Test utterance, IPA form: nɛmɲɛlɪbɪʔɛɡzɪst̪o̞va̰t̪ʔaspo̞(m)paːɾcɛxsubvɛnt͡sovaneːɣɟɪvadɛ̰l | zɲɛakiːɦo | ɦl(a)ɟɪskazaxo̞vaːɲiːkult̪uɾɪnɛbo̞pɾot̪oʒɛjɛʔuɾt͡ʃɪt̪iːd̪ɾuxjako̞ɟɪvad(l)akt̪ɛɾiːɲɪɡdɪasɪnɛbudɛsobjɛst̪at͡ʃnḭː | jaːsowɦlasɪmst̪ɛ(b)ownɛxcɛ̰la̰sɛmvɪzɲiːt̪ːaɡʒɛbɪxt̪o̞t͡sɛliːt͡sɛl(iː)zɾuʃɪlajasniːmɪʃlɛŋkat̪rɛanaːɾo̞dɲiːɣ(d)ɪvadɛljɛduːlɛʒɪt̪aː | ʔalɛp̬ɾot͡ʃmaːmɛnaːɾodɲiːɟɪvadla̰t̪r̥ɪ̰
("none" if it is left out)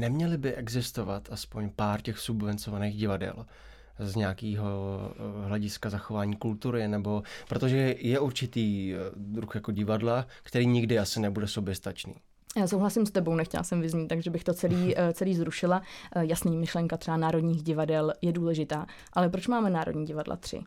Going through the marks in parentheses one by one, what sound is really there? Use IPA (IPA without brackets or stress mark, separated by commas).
ɲ, ɛ, l, b, iː, ɟ